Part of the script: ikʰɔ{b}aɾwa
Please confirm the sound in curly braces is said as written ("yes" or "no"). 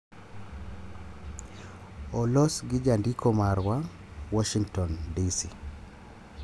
no